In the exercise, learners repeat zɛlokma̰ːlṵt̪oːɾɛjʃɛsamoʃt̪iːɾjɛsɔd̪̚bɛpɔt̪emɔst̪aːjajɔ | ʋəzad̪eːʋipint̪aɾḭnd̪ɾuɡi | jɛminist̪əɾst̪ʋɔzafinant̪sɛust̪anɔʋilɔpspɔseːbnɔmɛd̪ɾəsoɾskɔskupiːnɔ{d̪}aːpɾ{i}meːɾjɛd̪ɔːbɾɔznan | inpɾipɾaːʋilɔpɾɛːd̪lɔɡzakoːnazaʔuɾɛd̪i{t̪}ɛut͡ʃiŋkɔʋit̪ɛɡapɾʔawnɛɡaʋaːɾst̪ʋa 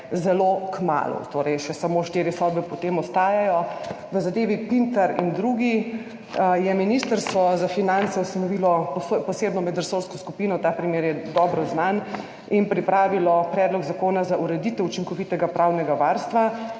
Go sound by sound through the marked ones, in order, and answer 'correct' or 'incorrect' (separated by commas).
incorrect, correct, correct